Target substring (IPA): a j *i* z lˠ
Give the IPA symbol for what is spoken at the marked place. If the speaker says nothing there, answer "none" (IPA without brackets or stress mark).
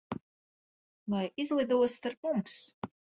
i